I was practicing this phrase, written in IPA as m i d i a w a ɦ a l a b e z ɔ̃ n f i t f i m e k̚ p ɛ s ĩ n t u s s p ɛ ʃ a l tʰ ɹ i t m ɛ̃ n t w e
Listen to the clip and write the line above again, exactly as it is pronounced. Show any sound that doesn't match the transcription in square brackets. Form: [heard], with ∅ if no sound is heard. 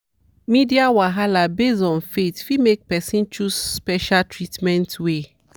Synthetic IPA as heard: m i d i a w a ɦ a l a b e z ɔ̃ n f [e] t f i m e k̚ p ɛ s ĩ n [t͡ʃ] u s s p ɛ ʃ a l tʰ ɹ i t m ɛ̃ n t w e